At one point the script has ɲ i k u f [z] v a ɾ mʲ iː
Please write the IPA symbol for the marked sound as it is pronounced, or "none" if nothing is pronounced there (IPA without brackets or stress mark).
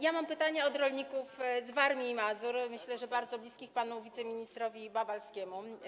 z